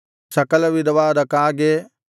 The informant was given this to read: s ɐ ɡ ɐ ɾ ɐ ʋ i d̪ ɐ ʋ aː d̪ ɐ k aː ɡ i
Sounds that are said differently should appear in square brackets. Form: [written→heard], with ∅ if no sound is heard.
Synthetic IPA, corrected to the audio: s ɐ [ɡ→k] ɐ [ɾ→l] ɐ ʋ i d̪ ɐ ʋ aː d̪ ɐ k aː ɡ [i→e]